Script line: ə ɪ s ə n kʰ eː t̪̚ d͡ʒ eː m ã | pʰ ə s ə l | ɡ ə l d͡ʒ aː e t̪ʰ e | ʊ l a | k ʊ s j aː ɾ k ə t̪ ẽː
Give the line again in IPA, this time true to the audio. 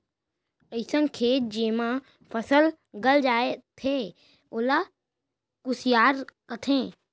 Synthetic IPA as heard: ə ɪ s ə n kʰ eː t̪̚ d͡ʒ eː m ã | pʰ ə s ə l | ɡ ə l d͡ʒ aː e t̪ʰ e | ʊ l a | k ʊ s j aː ɾ k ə t̪ʰ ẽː